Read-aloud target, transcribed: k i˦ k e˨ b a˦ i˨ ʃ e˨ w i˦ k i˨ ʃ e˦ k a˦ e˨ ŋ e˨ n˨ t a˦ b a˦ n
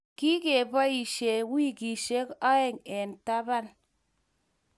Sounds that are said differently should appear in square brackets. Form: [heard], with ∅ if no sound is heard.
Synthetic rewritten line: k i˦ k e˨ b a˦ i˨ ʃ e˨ w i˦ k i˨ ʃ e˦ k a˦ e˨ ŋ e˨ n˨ t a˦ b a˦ n